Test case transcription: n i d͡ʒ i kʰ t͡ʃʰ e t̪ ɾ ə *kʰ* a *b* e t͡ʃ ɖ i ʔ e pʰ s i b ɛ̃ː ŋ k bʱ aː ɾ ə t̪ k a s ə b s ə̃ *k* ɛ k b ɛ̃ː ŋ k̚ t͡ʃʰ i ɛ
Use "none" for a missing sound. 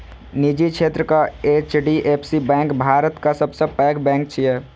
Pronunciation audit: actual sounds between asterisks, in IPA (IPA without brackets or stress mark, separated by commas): k, none, p